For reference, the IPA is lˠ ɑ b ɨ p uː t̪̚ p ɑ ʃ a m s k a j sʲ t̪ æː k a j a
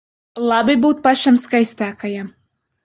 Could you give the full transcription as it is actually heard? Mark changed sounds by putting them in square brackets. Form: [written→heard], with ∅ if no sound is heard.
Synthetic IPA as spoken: lˠ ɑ b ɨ [p→b] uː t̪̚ p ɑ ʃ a m s k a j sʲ t̪ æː k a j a